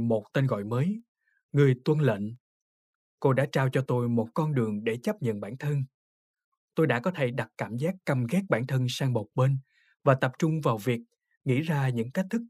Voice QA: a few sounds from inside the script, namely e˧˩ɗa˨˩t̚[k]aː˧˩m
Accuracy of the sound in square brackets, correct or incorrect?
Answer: correct